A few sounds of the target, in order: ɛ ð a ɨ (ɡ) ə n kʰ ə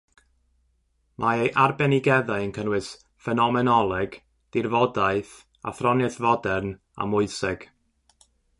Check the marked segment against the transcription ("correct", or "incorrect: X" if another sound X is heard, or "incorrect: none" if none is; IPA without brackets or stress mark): incorrect: none